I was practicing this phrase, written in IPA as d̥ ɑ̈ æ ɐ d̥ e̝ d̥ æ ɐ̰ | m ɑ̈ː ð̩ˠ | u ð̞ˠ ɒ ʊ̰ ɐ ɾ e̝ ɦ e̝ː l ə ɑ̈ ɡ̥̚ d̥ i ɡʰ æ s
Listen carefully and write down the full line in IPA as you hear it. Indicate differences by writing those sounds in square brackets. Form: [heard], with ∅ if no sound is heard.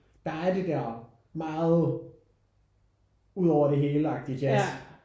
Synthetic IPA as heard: d̥ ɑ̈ æ ɐ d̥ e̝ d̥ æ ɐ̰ | m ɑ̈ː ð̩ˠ | u ð̞ˠ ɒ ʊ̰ ɐ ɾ e̝ ɦ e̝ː l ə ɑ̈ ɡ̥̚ d̥ i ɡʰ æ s